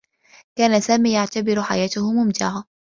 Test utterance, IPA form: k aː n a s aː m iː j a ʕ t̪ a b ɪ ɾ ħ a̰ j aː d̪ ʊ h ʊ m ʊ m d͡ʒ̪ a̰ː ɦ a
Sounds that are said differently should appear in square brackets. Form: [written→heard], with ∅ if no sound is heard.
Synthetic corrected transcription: k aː n a s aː m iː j a ʕ t̪ a b ɪ ɾ ħ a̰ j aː [d̪→t̪] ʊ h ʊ m ʊ m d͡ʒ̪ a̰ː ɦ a